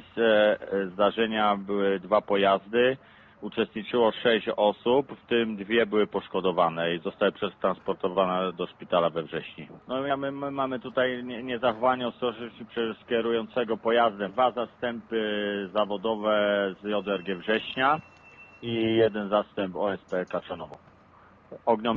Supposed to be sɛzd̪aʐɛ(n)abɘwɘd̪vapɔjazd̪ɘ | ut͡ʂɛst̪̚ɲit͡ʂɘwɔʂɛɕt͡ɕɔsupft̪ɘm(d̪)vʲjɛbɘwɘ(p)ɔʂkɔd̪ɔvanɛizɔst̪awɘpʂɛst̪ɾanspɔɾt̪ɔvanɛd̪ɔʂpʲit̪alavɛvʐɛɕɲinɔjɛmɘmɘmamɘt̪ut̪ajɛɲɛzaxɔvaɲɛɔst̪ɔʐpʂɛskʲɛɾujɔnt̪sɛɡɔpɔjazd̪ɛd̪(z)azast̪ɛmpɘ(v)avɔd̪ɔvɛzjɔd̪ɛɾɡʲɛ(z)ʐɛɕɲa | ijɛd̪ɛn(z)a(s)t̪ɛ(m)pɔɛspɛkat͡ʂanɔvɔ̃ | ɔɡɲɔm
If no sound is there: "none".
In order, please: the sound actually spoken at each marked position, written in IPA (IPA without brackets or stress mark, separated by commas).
ɲ, d̪, p, v, z, v, z, s, m